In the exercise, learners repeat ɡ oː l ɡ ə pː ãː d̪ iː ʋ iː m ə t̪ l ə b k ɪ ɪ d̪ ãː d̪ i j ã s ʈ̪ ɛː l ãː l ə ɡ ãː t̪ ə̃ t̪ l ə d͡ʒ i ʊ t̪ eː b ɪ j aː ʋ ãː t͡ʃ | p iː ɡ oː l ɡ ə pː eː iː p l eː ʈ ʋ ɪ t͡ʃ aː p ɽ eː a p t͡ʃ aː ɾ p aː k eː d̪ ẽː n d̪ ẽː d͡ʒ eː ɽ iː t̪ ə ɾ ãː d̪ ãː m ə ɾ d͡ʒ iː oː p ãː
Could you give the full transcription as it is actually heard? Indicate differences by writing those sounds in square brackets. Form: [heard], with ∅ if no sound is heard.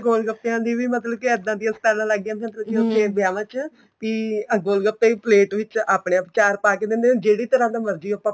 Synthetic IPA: ɡ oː l ɡ ə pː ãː d̪ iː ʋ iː m ə t̪ l ə b k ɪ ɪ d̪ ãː d̪ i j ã s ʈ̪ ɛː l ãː l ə ɡ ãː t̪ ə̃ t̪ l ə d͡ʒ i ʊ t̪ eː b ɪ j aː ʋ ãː t͡ʃ | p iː ɡ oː l ɡ ə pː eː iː p l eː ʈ ʋ ɪ t͡ʃ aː p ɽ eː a p t͡ʃ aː ɾ p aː k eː d̪ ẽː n d̪ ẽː d͡ʒ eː ɽ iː t̪ ə ɾ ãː d̪ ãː m ə ɾ d͡ʒ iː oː p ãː